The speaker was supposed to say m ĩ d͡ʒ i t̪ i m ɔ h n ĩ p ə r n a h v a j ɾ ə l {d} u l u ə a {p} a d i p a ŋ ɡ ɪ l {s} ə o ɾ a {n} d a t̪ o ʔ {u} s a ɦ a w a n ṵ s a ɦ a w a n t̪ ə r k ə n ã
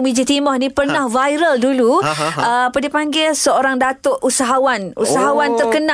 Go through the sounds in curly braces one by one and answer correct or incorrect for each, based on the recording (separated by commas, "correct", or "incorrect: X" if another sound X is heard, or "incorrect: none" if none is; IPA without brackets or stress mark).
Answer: correct, correct, correct, incorrect: ŋ, correct